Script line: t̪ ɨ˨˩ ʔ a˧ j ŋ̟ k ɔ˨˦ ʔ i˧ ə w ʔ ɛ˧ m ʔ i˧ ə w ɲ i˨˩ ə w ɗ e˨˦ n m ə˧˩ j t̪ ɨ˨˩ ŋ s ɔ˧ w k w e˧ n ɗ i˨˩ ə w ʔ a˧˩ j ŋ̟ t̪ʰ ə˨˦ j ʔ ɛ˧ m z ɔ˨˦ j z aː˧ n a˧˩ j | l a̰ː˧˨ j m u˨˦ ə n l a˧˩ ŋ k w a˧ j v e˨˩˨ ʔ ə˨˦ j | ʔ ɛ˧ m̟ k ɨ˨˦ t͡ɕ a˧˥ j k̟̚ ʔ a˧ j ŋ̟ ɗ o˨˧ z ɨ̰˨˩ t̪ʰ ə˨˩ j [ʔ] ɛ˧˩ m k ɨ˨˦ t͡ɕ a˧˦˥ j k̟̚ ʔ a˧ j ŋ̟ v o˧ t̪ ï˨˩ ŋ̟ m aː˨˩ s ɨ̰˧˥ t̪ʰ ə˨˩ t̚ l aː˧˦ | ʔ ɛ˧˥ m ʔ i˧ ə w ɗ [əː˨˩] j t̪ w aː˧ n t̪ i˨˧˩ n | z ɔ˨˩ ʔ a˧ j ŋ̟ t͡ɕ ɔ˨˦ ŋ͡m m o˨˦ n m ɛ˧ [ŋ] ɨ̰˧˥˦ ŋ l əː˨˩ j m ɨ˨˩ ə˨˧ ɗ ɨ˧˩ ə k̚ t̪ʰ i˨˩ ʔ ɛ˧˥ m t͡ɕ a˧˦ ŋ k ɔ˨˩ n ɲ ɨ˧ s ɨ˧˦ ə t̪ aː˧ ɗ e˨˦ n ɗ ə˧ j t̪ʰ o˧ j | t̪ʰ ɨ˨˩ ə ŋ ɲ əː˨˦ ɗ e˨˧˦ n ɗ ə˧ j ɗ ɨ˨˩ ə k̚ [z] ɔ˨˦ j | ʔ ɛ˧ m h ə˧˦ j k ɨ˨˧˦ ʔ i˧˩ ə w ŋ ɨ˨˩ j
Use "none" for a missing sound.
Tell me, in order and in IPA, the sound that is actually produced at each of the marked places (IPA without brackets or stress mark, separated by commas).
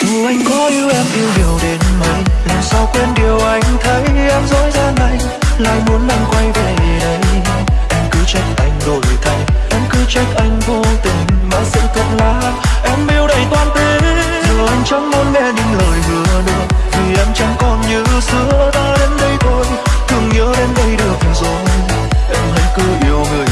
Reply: ʔ, ə˨˩, ɲ, z